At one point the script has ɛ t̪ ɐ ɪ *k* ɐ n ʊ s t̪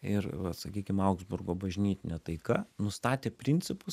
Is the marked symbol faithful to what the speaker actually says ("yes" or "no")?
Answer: yes